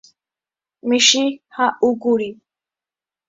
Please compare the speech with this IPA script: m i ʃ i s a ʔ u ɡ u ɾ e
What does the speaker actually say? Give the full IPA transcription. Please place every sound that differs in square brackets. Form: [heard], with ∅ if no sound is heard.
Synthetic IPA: m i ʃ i [h] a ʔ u ɡ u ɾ [i]